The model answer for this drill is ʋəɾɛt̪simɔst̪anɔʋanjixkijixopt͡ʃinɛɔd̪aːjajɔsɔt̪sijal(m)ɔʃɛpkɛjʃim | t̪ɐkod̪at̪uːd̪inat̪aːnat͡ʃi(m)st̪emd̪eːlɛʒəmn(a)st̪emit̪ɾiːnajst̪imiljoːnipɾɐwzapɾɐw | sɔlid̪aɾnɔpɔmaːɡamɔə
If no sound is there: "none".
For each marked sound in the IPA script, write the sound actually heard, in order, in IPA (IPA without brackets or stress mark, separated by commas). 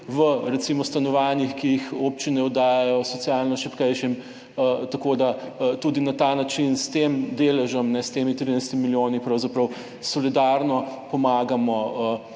n, n, ɛ